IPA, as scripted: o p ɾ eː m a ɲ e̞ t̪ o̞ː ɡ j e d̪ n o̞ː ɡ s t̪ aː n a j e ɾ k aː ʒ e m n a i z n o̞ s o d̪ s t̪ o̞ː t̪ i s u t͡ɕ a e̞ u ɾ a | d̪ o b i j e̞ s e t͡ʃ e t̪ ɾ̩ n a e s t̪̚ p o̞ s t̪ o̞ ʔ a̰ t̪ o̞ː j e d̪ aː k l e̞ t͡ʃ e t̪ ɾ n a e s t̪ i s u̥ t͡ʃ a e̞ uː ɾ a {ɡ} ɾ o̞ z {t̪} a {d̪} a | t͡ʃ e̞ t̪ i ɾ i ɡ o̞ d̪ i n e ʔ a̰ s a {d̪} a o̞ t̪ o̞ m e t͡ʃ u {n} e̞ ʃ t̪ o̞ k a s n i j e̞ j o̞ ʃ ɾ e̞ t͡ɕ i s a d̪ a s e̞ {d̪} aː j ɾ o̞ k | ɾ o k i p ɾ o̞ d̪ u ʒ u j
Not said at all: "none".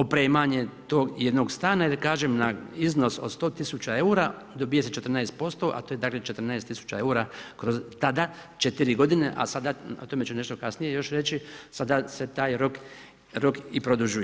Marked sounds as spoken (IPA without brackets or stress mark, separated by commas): k, t̪, d̪, d̪, n, t̪